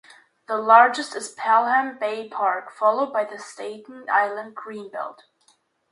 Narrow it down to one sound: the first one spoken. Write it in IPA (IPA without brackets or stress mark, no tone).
ð